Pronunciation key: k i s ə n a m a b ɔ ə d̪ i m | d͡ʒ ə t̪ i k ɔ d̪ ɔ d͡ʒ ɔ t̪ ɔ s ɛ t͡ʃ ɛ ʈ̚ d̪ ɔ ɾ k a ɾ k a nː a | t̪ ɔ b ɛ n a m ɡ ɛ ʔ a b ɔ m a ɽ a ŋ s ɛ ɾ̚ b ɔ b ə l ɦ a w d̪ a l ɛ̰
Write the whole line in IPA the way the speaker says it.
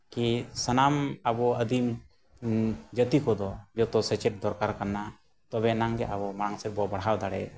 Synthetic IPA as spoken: k i s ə n a m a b ɔ ə d̪ i m | d͡ʒ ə t̪ i k ɔ d̪ ɔ d͡ʒ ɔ t̪ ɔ s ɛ t͡ʃ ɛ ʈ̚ d̪ ɔ ɾ k a ɾ k a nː a | t̪ ɔ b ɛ n a ŋ ɡ ɛ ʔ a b ɔ m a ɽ a ŋ s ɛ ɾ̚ b ɔ b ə ɽ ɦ a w d̪ a ɽ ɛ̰